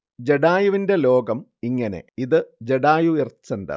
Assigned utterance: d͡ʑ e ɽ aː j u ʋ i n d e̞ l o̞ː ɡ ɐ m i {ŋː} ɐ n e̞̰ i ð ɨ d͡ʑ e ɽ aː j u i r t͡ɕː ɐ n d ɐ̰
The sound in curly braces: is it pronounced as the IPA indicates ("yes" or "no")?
yes